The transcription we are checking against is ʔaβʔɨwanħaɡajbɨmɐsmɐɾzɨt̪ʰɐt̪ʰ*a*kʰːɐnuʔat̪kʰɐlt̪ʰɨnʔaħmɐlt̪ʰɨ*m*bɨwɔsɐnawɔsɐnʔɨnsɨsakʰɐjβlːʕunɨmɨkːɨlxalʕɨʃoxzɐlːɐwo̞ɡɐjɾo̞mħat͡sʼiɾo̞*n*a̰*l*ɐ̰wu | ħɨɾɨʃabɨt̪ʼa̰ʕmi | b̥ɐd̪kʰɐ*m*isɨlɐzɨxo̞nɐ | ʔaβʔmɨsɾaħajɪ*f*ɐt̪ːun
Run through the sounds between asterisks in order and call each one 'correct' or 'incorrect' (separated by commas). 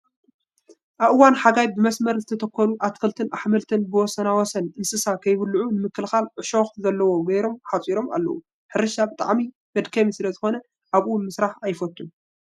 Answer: incorrect, incorrect, incorrect, incorrect, correct, correct